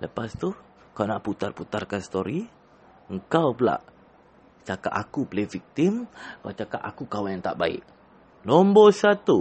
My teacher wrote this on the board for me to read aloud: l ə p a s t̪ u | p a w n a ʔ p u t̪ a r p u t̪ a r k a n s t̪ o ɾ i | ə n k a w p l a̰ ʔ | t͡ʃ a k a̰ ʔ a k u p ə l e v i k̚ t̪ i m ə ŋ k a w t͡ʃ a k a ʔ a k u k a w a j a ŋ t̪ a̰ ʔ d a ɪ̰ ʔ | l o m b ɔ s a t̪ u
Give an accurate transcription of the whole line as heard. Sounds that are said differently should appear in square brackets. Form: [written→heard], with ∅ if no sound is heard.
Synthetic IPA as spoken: l ə p a s t̪ u | [p→k] a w n a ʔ p u t̪ a r p u t̪ a r k a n s t̪ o ɾ i | ə [n→ŋ] k a w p l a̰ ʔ | t͡ʃ a k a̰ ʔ a k u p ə l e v i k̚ t̪ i m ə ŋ k a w t͡ʃ a k a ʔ a k u k a w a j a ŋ t̪ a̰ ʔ [d→b] a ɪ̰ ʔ | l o m b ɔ s a t̪ u